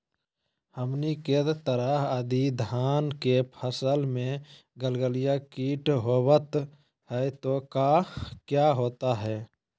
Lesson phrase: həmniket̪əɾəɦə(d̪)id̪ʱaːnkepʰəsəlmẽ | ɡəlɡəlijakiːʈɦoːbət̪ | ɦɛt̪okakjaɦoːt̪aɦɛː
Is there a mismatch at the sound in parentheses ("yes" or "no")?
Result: no